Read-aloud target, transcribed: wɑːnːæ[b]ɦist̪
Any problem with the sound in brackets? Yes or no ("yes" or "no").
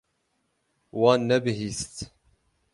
no